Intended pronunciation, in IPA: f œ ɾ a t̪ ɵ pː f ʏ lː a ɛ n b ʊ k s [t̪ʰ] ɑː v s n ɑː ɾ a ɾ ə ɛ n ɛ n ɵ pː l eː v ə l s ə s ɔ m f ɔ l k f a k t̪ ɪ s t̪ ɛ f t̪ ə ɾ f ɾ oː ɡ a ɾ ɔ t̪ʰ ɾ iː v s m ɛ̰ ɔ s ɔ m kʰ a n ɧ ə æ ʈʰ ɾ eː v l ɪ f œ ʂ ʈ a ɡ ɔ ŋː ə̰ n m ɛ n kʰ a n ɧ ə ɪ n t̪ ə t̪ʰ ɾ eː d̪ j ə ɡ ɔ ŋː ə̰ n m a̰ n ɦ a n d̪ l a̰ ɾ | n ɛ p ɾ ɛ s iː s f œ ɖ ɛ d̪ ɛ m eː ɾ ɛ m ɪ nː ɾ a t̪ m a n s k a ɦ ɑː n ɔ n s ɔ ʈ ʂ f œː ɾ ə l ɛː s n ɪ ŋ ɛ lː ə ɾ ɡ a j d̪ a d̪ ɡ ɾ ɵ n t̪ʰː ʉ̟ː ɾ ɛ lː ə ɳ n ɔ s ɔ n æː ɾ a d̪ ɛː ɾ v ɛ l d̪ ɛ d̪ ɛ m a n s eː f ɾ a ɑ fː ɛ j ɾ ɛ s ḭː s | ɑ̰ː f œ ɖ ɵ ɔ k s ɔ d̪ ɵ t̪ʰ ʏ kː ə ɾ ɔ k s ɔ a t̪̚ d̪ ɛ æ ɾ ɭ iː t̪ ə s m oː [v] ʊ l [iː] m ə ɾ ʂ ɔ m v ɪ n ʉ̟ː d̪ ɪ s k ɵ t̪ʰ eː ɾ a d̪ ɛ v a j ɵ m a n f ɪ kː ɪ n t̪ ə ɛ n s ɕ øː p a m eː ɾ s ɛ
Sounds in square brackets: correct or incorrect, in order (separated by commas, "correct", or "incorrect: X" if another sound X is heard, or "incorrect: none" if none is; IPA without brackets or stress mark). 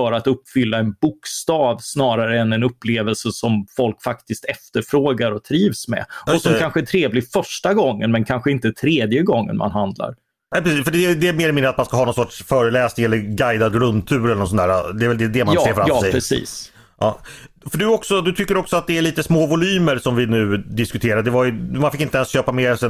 incorrect: t̪, correct, incorrect: yː